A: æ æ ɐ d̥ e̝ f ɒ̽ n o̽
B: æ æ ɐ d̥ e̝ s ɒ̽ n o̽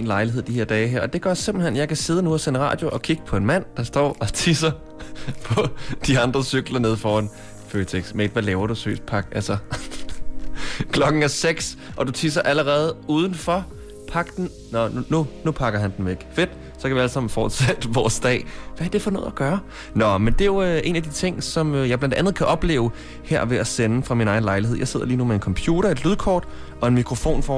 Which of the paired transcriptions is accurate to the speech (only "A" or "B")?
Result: A